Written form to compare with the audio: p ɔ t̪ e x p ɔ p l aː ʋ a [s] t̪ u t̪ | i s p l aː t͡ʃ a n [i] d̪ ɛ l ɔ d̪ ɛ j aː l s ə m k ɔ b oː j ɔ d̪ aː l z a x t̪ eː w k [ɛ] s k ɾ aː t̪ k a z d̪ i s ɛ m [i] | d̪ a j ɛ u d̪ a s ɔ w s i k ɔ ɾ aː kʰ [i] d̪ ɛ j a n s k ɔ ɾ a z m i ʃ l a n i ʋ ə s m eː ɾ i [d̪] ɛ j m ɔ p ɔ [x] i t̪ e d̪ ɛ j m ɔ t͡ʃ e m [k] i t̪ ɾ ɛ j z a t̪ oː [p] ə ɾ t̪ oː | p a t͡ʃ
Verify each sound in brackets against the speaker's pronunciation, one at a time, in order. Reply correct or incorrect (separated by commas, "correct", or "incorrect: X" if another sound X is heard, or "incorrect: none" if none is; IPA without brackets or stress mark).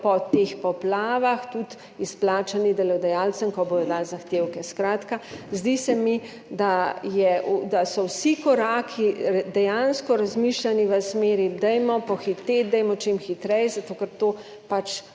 incorrect: x, correct, correct, correct, correct, correct, correct, incorrect: x, incorrect: k